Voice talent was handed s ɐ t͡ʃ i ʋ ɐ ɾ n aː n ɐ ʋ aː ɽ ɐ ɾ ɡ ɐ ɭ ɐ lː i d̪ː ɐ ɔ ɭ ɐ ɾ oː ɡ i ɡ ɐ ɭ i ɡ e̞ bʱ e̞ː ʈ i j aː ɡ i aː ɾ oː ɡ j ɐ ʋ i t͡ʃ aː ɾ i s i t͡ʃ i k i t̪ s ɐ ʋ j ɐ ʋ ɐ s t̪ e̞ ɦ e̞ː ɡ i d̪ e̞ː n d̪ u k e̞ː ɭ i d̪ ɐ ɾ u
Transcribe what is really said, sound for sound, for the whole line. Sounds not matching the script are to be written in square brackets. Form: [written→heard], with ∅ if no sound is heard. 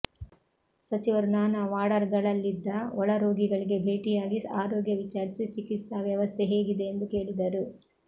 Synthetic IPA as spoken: s ɐ t͡ʃ i ʋ ɐ ɾ n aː n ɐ ʋ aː ɽ ɐ ɾ ɡ ɐ ɭ ɐ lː i d̪ː ɐ ɔ ɭ ɐ ɾ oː ɡ i ɡ ɐ ɭ i ɡ e̞ bʱ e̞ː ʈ i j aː ɡ i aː ɾ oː ɡ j ɐ ʋ i t͡ʃ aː ɾ i s i t͡ʃ i k i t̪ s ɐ ʋ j ɐ ʋ ɐ s [t̪→t̪ʰ] e̞ ɦ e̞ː ɡ i d̪ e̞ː n d̪ u k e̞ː ɭ i d̪ ɐ ɾ u